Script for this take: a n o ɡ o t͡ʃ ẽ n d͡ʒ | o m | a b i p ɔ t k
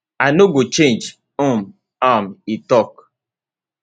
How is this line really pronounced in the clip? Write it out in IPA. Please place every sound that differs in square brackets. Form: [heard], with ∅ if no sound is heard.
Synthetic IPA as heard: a n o ɡ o t͡ʃ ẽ n d͡ʒ | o m | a [m] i [t] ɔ [∅] k